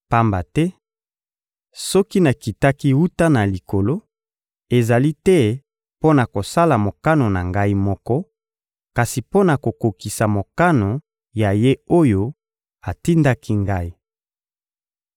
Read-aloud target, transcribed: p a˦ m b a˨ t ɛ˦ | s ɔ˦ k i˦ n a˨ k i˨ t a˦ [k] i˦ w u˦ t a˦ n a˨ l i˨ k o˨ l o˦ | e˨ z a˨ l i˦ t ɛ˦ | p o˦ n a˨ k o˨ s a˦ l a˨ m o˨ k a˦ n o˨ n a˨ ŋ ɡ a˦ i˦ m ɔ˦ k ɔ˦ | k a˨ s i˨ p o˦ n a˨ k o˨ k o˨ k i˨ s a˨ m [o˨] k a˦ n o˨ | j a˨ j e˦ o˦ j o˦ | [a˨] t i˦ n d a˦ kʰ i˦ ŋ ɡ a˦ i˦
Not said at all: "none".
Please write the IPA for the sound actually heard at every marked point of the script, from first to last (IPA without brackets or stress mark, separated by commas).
k, o˨, a˨